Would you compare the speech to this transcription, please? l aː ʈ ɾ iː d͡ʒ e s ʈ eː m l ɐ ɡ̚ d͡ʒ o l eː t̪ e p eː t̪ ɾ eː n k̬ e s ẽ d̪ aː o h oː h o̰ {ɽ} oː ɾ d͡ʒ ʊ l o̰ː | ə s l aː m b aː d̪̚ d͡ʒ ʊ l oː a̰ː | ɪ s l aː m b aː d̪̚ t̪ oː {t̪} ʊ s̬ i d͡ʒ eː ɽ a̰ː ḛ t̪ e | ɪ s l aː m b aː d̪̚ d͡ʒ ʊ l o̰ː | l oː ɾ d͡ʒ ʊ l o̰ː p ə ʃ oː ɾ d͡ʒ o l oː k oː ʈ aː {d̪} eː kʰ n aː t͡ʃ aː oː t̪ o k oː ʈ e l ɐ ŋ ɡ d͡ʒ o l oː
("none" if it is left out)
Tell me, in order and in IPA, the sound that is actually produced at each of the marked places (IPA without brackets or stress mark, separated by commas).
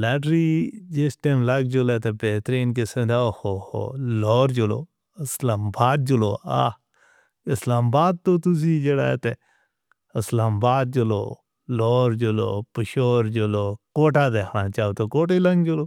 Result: l, t̪, d̪